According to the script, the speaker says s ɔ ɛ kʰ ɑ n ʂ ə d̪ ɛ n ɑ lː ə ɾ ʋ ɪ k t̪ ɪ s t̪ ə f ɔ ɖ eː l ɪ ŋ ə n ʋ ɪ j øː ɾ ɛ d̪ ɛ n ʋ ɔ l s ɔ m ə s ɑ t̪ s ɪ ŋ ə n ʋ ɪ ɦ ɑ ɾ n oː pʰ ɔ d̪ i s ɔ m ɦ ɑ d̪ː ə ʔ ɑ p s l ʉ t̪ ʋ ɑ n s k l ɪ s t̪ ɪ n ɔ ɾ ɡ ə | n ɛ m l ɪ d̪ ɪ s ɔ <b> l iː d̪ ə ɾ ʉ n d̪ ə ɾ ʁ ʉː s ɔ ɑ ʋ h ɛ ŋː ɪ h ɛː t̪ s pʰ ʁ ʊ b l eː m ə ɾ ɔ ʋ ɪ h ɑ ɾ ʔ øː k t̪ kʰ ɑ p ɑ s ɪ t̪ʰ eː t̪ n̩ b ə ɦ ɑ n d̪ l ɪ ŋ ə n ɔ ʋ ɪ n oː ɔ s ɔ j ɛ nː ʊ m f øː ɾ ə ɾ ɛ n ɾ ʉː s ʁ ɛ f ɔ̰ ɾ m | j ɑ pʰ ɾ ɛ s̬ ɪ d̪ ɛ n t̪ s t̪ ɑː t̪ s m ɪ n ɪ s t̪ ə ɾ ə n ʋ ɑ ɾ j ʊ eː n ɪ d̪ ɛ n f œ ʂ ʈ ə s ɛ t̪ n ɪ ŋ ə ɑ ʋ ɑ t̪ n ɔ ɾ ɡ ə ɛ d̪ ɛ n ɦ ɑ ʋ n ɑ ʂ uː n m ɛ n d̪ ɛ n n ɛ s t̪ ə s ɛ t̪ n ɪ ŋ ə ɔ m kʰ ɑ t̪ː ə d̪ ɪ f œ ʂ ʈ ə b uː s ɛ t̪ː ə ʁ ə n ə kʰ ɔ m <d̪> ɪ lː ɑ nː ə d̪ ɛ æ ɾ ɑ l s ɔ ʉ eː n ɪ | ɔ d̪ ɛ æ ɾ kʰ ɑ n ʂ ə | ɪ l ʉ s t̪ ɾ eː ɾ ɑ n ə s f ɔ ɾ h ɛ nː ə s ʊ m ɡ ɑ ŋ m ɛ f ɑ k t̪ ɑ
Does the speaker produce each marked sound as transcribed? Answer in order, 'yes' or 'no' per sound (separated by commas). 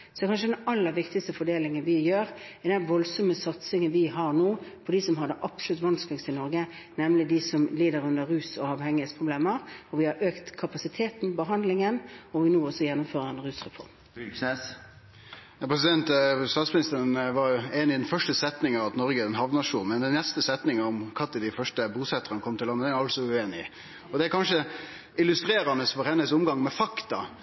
no, no